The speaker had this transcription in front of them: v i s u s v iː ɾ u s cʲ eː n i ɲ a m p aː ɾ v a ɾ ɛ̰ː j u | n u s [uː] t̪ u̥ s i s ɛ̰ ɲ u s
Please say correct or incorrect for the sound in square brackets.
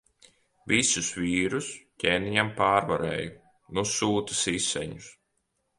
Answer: correct